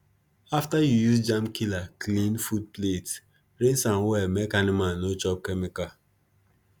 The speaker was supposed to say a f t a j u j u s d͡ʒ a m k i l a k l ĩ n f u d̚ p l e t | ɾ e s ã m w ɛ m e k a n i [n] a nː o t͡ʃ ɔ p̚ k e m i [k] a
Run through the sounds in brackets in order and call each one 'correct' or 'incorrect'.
incorrect: m, correct

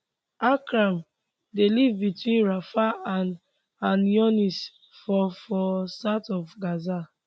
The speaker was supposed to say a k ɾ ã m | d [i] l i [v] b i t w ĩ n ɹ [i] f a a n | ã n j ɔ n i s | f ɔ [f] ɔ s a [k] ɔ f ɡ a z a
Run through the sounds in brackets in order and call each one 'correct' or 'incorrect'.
incorrect: e, correct, incorrect: a, correct, incorrect: t

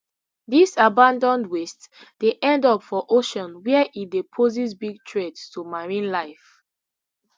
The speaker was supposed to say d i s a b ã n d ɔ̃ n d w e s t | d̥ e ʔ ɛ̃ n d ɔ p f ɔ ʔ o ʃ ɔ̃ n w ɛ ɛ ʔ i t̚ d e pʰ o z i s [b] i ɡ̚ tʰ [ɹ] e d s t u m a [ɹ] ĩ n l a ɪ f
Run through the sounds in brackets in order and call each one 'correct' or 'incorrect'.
correct, correct, correct

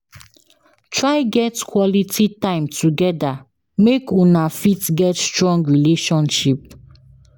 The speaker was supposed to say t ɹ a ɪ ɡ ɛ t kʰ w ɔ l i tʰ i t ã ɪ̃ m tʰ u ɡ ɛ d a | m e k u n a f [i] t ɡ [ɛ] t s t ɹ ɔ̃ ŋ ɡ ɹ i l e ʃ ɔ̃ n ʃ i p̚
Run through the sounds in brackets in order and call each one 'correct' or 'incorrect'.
correct, correct

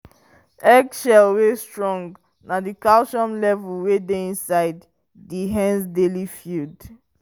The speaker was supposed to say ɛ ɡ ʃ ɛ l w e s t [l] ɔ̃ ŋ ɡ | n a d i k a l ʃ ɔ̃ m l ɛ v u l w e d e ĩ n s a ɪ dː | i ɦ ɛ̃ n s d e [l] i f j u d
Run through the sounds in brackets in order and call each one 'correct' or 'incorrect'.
incorrect: ɹ, correct

